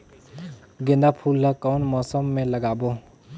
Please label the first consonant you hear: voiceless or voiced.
voiced